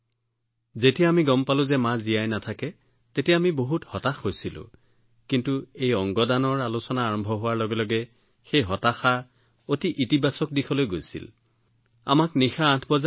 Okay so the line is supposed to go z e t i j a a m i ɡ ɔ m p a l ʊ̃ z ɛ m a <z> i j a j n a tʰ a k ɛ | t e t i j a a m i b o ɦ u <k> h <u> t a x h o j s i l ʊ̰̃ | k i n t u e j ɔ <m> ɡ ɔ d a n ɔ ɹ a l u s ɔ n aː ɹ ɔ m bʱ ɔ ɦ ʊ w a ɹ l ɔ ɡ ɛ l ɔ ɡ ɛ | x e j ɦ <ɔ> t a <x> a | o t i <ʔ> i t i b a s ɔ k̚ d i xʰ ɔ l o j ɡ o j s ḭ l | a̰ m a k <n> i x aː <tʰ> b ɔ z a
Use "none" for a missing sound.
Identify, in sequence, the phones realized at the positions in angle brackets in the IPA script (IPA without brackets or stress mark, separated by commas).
z, t, ɔ, ŋ, ɔ, x, ʔ, n, tʰ